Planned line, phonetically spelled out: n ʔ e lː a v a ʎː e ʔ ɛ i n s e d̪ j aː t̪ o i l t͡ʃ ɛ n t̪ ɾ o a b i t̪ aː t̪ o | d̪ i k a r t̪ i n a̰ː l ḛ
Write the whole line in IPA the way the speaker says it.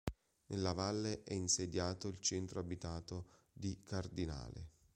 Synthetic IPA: n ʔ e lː a v a lː e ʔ ɛ i n s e d̪ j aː t̪ o i l t͡ʃ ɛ n t̪ ɾ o a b i t̪ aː t̪ o | d̪ i k a r d̪ i n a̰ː l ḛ